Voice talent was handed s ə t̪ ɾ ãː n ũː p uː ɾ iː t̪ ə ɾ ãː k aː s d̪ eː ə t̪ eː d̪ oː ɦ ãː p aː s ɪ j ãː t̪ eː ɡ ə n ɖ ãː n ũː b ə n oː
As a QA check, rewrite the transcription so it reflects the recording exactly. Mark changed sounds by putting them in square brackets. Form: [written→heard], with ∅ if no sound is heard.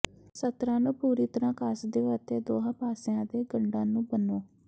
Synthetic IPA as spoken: s ə t̪ ɾ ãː n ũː p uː ɾ iː t̪ ə ɾ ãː k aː s d̪ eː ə t̪ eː d̪ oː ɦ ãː p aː s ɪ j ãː [t̪→d̪] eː ɡ ə [n→ɳ] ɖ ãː n ũː b ə n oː